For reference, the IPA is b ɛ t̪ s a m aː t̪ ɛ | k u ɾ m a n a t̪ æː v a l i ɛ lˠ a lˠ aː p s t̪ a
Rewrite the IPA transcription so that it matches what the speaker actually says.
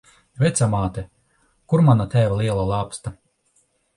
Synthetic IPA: v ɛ t̪ s a m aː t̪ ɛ | k u ɾ m a n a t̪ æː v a l i ɛ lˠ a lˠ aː p s t̪ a